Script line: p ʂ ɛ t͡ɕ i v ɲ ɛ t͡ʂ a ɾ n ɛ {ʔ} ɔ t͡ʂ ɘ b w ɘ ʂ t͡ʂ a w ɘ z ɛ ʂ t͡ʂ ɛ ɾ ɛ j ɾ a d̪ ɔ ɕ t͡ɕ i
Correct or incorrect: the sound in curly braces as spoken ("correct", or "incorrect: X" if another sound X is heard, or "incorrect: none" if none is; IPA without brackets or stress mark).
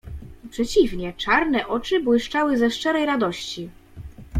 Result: correct